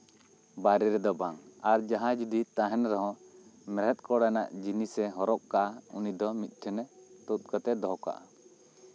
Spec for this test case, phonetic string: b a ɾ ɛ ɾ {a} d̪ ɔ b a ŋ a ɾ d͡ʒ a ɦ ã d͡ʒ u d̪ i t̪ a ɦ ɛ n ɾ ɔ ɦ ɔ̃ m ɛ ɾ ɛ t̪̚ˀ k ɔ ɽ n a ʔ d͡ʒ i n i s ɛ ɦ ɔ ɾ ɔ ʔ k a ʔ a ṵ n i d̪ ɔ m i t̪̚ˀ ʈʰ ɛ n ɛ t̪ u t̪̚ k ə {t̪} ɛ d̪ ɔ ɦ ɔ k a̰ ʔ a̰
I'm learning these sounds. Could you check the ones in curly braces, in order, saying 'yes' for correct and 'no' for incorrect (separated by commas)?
no, yes